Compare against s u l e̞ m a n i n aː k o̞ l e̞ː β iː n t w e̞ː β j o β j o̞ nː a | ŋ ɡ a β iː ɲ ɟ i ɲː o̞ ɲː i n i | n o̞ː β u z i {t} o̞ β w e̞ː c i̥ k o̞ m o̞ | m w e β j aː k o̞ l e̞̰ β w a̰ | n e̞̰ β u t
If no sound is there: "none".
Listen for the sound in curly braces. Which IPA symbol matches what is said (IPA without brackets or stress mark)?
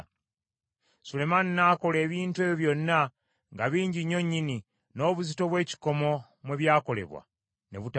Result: t